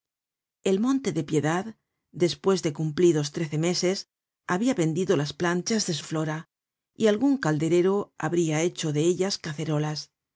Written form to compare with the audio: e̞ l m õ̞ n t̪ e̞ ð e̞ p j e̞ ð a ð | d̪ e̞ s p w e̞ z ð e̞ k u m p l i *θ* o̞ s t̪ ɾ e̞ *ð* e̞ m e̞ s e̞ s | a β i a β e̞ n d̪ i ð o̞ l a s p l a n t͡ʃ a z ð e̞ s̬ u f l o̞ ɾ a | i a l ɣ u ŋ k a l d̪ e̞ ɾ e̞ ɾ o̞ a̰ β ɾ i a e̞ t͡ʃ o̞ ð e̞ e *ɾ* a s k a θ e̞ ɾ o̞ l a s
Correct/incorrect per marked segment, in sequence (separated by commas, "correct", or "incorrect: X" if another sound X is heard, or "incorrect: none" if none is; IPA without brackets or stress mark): incorrect: ð, incorrect: θ, incorrect: ʎ